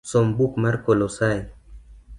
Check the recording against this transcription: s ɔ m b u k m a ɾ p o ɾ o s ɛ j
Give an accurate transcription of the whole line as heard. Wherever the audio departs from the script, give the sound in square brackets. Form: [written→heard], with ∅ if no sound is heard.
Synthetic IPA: s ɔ m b u k m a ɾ [p→k] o [ɾ→l] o s [ɛ→a] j